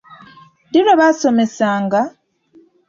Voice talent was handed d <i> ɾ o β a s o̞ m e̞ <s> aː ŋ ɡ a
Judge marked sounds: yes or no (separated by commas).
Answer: yes, yes